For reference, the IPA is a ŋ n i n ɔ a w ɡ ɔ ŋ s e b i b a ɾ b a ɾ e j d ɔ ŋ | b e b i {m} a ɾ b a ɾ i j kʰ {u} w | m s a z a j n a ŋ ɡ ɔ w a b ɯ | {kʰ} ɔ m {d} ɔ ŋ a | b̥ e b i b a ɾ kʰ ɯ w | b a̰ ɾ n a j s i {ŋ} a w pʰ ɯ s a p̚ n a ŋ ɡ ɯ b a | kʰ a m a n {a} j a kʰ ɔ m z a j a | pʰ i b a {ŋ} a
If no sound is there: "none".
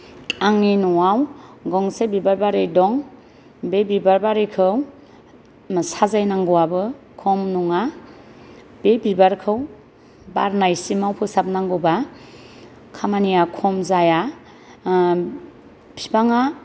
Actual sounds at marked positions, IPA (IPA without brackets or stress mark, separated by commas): b, ɯ, kʰ, n, m, i, ŋ